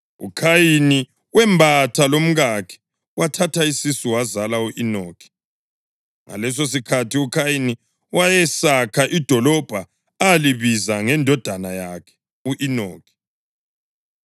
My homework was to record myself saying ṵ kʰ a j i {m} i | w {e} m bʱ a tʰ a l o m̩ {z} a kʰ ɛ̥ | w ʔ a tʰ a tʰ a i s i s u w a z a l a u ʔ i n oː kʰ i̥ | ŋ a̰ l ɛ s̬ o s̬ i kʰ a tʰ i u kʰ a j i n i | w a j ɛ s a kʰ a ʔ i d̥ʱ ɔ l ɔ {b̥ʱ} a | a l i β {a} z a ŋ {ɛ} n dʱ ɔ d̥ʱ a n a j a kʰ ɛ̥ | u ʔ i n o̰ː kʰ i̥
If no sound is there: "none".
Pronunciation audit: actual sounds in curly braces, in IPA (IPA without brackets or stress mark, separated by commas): n, ɛ, ɣ, b̥ʱ, i, ɛ